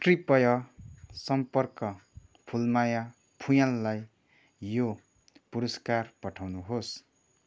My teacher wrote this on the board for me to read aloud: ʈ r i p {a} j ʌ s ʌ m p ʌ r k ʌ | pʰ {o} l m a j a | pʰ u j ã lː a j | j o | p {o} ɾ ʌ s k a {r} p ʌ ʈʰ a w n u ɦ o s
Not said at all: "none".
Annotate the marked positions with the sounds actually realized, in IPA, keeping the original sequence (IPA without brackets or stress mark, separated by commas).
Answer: ʌ, u, u, r